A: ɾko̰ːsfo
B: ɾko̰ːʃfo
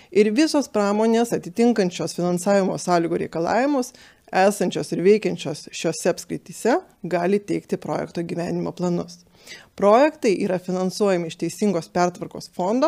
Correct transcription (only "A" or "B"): A